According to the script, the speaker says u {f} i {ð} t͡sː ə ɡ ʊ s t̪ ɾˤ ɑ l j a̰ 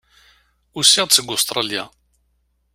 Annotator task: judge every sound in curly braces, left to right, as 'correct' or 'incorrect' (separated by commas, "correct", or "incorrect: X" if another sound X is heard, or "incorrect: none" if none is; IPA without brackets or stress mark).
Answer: incorrect: s, incorrect: ʁ